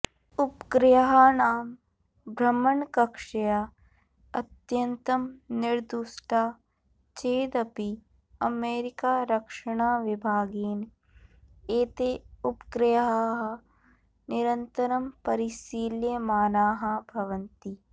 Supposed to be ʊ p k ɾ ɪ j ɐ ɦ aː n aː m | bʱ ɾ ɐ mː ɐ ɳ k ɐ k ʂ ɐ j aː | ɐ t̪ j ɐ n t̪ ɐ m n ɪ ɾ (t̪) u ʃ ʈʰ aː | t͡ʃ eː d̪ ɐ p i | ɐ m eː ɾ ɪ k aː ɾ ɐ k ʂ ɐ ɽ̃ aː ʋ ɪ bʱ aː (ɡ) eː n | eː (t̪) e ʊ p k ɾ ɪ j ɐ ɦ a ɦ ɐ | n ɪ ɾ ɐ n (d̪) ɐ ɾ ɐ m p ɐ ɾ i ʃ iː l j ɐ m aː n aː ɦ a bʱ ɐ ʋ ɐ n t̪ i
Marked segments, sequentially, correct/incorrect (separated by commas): incorrect, correct, correct, incorrect